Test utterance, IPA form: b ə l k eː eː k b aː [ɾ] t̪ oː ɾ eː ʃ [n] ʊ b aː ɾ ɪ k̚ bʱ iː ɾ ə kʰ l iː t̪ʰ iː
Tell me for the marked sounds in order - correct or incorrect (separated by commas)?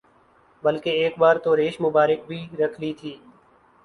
correct, incorrect